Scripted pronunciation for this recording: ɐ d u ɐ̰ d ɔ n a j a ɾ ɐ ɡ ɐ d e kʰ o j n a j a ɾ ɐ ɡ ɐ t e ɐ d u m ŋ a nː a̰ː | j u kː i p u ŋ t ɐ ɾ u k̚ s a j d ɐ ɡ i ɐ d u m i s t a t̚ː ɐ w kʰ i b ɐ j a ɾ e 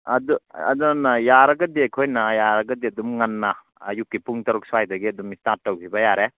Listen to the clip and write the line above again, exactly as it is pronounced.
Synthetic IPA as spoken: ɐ d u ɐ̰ d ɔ n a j a ɾ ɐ ɡ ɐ d e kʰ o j n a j a ɾ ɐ ɡ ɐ d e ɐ d u m ŋ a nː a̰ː | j u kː i p u ŋ t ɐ ɾ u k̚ s a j d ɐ ɡ i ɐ d u m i s t a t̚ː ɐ w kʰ i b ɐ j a ɾ e